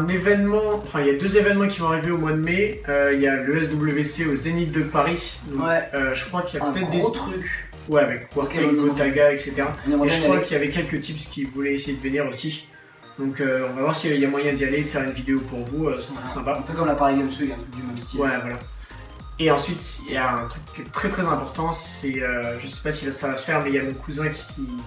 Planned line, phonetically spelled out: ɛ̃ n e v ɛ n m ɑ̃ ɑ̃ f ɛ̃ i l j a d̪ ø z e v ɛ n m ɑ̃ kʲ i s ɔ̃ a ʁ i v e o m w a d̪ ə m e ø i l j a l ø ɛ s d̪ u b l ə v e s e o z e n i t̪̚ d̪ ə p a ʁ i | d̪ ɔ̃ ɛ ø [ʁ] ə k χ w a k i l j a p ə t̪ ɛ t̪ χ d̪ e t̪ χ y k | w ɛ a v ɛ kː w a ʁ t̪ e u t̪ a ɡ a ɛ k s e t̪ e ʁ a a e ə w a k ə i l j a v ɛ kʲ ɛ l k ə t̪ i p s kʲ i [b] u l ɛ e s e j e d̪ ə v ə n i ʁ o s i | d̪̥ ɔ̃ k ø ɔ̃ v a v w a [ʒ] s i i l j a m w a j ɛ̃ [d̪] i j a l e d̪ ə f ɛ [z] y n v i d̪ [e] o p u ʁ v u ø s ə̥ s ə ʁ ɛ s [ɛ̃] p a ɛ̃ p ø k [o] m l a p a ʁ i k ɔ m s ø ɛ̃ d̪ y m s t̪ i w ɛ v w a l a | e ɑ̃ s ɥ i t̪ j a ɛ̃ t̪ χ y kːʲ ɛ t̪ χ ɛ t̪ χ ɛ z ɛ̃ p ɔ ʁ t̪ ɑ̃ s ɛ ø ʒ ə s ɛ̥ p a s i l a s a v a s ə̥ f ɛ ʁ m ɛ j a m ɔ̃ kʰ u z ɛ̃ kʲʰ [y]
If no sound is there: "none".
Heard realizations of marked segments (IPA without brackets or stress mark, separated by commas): ʒ, v, ʁ, d̪, ʁ, e, ɛ̃, ɔ, i